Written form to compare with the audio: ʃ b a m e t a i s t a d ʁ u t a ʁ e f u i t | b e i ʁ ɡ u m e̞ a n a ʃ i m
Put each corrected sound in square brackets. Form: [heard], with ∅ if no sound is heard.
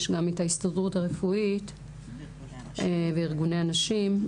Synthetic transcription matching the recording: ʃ [ɡ] a m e t a i s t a d ʁ u t a ʁ e f u i t | [v] e i ʁ ɡ u [n] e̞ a n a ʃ i m